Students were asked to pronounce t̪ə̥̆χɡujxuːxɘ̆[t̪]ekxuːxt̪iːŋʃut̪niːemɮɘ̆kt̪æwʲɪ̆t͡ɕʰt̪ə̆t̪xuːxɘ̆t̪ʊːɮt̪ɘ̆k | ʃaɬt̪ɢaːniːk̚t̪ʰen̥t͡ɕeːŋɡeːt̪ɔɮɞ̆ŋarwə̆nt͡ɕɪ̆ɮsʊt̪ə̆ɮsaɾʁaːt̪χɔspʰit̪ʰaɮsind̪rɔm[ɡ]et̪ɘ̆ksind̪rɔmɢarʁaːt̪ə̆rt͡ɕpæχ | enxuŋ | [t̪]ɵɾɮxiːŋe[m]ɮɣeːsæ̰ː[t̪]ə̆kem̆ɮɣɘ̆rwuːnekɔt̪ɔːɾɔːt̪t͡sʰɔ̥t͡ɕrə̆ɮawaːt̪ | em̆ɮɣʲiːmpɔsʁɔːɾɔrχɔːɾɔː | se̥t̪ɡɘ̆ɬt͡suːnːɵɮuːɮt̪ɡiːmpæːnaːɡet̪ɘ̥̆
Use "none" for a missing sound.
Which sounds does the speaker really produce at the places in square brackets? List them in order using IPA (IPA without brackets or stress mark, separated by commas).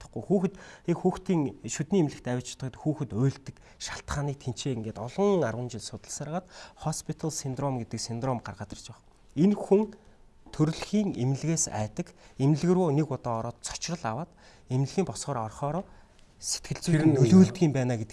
t̪, ɡ, t̪ʰ, m, t̪